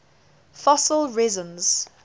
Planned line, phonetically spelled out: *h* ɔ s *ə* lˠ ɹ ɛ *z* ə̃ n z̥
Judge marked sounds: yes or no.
no, yes, yes

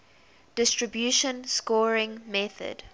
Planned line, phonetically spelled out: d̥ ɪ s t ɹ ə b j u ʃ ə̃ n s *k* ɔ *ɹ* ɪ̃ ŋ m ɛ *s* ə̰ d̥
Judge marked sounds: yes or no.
yes, yes, no

